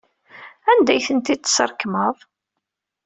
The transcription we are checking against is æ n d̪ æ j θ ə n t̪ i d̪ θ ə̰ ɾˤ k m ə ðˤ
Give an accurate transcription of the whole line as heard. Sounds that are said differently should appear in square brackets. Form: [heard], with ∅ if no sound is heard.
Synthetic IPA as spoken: æ n d̪ æ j θ ə n t̪ i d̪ [s] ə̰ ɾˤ k m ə ðˤ